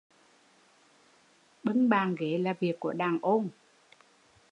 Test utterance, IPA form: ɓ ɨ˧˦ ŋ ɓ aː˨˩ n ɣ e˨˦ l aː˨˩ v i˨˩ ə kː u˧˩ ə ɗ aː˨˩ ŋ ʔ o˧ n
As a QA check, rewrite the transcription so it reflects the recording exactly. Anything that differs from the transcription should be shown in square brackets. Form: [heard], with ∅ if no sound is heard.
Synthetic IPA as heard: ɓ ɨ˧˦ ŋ ɓ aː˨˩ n ɣ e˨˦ l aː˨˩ v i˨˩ ə kː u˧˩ ə ɗ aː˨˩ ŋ ʔ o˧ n

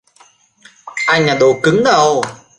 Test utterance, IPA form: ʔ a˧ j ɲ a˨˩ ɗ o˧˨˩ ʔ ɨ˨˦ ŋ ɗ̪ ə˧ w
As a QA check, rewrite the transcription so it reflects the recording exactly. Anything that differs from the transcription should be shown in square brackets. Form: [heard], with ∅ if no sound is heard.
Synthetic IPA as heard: ʔ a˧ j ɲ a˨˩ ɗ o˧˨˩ [k] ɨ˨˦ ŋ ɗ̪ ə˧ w

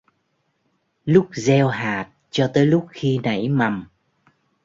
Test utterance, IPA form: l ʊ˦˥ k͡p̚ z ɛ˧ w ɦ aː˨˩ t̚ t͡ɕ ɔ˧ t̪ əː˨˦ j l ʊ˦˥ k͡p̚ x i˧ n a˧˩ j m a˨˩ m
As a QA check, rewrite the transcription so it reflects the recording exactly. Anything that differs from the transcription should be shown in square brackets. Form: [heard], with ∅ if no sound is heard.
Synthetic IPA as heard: l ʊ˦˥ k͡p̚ z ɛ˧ w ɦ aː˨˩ t̚ t͡ɕ ɔ˧ t̪ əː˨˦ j l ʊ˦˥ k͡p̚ x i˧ n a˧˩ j m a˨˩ m

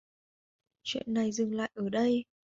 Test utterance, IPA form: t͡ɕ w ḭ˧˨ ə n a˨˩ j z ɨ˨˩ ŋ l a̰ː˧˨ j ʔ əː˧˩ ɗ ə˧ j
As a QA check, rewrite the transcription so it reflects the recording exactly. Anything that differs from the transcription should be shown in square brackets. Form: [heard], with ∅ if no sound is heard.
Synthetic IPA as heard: t͡ɕ w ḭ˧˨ ə [nː] a˨˩ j z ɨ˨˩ ŋ l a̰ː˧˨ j ʔ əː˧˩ ɗ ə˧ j

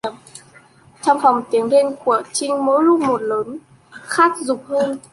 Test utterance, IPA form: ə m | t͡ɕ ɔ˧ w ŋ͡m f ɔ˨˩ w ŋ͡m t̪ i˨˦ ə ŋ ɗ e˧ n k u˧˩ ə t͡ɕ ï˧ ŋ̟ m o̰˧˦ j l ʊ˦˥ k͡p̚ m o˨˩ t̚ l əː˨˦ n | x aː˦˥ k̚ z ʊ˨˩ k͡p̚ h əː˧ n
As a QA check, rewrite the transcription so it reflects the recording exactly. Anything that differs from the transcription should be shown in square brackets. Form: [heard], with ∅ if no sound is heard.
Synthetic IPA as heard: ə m | t͡ɕ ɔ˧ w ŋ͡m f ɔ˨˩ w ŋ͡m t̪ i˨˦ ə ŋ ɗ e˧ n k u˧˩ ə t͡ɕ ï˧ ŋ̟ m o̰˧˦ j l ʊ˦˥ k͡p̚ m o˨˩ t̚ l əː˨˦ n | x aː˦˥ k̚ z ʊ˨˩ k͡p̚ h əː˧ n

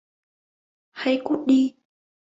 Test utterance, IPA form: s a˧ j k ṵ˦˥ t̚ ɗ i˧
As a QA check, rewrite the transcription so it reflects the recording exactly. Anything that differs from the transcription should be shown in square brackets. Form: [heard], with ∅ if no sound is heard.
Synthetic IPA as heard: [h] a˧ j k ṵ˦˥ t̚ ɗ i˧

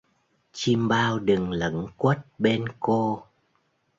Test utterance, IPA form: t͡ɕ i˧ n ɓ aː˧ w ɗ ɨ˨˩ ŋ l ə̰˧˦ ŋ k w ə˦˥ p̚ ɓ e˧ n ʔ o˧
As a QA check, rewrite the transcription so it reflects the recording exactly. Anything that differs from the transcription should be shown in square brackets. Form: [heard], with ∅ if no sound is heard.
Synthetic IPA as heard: t͡ɕ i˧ [m] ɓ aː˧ w ɗ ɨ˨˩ ŋ l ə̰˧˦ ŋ k w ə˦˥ [t̚] ɓ e˧ n [k] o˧

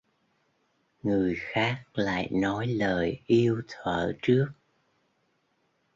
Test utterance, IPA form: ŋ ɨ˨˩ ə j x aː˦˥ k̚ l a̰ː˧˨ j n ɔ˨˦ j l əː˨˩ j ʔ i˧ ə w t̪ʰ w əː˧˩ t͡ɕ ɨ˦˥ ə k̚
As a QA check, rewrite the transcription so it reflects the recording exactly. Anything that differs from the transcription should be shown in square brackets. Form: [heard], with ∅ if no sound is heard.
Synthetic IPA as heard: ŋ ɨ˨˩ ə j x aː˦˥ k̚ l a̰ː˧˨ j n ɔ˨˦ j l əː˨˩ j ʔ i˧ ə w t̪ʰ w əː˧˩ t͡ɕ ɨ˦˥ ə k̚

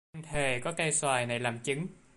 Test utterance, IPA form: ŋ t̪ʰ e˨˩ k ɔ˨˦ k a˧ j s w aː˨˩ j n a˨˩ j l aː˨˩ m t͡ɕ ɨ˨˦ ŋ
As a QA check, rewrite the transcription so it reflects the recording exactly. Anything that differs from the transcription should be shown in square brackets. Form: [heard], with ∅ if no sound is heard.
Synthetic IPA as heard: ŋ t̪ʰ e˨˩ k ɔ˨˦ k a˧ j s w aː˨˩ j n a˨˩ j l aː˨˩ m t͡ɕ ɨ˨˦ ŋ

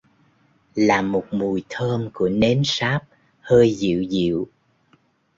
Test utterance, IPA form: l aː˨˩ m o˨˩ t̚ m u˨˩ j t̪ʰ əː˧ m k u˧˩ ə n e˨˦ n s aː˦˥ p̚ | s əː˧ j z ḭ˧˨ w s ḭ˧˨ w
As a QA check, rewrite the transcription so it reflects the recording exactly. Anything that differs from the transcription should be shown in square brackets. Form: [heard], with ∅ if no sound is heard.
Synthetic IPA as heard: l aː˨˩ m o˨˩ t̚ m u˨˩ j t̪ʰ əː˧ m k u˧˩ ə n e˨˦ n s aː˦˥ p̚ | [h] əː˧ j z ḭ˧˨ w [z] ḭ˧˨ w

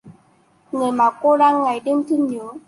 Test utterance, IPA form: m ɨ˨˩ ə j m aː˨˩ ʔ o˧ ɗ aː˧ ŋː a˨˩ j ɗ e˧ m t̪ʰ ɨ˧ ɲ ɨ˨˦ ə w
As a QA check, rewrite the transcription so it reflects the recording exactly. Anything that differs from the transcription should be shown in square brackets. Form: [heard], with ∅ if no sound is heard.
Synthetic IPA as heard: [ŋ] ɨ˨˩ ə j m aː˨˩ [k] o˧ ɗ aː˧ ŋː a˨˩ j ɗ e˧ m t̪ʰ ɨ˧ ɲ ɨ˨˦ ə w

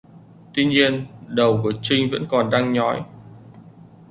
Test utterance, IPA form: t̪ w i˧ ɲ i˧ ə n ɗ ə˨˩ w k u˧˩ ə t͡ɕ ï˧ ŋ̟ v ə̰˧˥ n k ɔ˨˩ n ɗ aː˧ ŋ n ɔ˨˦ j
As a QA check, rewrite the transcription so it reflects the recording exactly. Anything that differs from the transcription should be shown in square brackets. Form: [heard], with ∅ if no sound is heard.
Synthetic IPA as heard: t̪ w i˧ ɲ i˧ ə n ɗ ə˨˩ w k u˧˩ ə t͡ɕ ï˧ ŋ̟ v ə̰˧˥ n k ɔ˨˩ n ɗ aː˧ ŋ [ɲ] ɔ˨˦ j

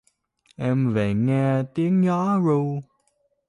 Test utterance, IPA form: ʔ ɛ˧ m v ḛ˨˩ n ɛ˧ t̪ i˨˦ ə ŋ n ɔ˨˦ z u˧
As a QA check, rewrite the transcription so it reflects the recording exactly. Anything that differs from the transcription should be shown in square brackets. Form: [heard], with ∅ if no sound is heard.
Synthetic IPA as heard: ʔ ɛ˧ m v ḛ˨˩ [ŋ] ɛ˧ t̪ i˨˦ ə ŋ [ɲ] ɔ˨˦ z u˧

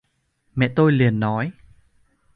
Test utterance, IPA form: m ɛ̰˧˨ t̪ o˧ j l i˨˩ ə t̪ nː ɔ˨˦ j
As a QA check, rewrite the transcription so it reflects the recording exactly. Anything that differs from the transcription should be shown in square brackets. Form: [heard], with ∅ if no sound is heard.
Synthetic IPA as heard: m ɛ̰˧˨ t̪ o˧ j l i˨˩ ə [∅] nː ɔ˨˦ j

